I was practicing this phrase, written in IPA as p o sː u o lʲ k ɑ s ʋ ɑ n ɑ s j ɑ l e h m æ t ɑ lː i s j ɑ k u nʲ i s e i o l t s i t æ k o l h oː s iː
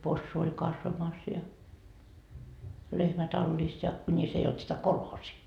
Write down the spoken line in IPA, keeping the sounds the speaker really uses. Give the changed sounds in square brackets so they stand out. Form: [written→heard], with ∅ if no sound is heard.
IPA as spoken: p o sː u o lʲ k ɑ s ʋ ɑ [n→m] ɑ s j ɑ l e h m æ t ɑ lː i s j ɑ k u nʲ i s e i o l t s i t æ k o l h oː s iː